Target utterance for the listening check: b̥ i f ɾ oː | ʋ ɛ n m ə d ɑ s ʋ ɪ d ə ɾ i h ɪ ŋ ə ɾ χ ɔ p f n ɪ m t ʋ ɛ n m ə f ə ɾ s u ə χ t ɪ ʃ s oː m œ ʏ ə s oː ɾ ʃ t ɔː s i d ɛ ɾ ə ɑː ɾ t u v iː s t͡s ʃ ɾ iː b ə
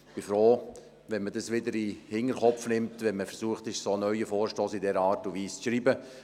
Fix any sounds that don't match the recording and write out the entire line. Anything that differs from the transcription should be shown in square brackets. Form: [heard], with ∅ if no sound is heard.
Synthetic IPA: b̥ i f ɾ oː | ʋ ɛ n m ə d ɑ s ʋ ɪ d ə ɾ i h ɪ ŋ ə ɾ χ ɔ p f n ɪ m t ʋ ɛ n m ə f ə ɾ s u ə χ t ɪ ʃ s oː [n] œ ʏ ə [f] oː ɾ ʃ t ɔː s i d ɛ ɾ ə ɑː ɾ t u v iː s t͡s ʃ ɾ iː b ə